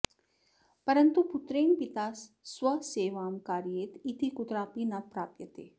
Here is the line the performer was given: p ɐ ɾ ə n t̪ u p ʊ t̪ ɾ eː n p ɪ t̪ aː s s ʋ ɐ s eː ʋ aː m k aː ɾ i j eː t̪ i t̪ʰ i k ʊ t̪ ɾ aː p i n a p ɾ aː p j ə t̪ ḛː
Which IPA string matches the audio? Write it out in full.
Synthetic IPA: p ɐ ɾ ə n t̪ u p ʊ t̪ ɾ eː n p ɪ t̪ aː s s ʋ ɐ s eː ʋ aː m k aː ɾ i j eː t̪ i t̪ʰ i k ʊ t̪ ɾ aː p i n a p ɾ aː p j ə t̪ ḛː